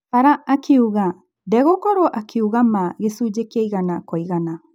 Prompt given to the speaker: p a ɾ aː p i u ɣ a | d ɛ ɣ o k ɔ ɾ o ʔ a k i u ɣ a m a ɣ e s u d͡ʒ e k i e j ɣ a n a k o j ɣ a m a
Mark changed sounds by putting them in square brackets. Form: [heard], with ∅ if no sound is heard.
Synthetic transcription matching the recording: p a ɾ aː [k] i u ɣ a | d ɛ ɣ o k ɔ ɾ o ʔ a k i u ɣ a m a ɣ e s u d͡ʒ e k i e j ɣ a n a k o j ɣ a [n] a

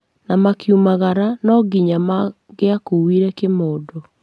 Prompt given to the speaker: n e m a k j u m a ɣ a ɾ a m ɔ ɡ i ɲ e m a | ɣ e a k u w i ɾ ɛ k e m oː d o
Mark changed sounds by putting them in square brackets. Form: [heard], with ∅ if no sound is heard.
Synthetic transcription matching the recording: n [a] m a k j u m a ɣ a ɾ a [n] ɔ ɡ i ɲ [a] m a | ɣ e a k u w i ɾ ɛ k e m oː d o

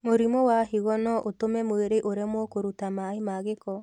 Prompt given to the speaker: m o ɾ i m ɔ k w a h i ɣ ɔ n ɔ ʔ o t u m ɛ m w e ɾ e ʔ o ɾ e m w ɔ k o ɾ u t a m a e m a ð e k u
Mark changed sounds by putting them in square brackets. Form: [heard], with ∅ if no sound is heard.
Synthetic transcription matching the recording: m o ɾ i m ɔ [∅] w a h i ɣ ɔ n ɔ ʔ o t [o] m ɛ m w e ɾ e ʔ o ɾ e m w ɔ k o ɾ u t a m a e m a [ɣ] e k [ɔ]

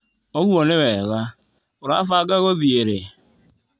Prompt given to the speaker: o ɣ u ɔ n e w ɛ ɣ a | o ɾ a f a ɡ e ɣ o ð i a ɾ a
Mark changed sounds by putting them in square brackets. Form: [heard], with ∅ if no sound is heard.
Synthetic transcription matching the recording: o ɣ u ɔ n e w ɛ ɣ a | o ɾ a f a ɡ [a] ɣ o ð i [e] ɾ [e]

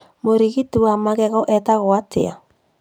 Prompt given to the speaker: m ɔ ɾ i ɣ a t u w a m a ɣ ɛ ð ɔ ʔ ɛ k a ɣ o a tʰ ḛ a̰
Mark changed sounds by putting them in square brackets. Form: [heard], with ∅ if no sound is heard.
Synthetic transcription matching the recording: m [o] ɾ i ɣ [i] t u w a m a ɣ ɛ [ɣ] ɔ ʔ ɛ [t] a ɣ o a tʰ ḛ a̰

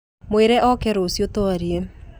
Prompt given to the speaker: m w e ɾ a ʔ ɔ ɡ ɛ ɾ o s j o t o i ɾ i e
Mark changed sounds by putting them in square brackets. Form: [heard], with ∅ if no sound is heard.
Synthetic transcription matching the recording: m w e ɾ [ɛ] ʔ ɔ [k] ɛ ɾ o s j o t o [a] ɾ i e

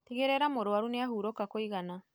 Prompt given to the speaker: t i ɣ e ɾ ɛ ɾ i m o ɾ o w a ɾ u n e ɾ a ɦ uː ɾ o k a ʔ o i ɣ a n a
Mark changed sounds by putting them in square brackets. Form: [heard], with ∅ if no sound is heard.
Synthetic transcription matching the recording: t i ɣ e ɾ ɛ ɾ [a] m o ɾ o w a ɾ u n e [∅] a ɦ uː ɾ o k a [k] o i ɣ a n a

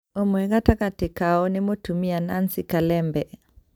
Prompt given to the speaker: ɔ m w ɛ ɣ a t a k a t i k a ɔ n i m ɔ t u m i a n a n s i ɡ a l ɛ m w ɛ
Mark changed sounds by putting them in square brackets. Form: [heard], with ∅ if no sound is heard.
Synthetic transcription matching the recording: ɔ m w ɛ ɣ a t a k a t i k a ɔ n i m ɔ t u m i a n a n s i [k] a l ɛ m [b] ɛ

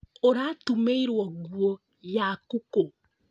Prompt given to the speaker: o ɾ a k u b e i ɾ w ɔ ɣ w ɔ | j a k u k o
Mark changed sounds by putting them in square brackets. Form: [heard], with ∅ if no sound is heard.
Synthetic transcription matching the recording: o ɾ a [t] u [m] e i ɾ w ɔ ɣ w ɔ | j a k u k o

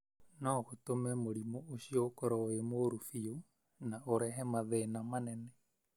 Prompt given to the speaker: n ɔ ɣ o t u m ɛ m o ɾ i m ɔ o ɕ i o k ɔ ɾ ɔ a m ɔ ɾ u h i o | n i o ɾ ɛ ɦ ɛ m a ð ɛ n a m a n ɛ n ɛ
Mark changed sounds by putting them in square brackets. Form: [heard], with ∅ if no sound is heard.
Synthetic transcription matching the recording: n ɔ ɣ o t [o] m ɛ m o ɾ i m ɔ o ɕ i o k ɔ ɾ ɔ [e] m [o] ɾ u [f] i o | n [a] o ɾ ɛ ɦ ɛ m a ð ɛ n a m a n ɛ n ɛ

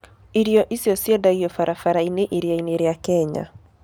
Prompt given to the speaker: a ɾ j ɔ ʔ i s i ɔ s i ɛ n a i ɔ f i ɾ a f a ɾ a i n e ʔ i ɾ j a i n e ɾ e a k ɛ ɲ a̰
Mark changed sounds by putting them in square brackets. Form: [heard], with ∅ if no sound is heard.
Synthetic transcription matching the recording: [i] ɾ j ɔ ʔ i s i ɔ s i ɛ [d] a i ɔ f [a] ɾ a f a ɾ a i n e ʔ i ɾ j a i n e ɾ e a k ɛ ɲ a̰

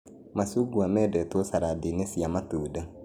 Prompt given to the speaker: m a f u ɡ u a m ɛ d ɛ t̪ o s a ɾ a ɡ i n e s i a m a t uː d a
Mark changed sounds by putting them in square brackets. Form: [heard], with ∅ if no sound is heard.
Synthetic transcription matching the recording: m a [s] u ɡ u a m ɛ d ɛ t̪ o s a ɾ a [d] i n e s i a m a t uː d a

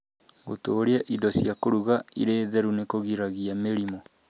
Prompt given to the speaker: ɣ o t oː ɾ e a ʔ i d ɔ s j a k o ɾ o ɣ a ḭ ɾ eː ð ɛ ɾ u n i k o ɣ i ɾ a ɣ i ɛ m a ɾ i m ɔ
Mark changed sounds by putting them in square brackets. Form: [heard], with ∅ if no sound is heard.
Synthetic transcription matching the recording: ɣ o t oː ɾ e a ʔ i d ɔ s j a k o ɾ [u] ɣ a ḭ ɾ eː ð ɛ ɾ u n [e] k o ɣ i ɾ a ɣ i [a] m [e] ɾ i m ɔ

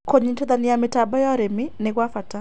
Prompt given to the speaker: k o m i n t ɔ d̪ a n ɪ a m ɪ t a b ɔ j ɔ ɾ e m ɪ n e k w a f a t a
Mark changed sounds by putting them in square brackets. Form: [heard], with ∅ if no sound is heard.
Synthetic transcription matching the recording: k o [ɲ] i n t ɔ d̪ a n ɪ a m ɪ t a b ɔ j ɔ ɾ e m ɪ n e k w a f a t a

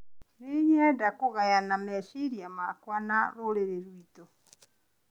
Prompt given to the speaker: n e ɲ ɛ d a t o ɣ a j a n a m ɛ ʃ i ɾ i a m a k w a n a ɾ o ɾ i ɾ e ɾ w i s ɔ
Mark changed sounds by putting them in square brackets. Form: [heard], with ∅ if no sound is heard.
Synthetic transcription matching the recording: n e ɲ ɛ d a [k] o ɣ a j a n a m ɛ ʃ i ɾ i a m a k w a n a ɾ o ɾ [e] ɾ e ɾ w i [t] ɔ

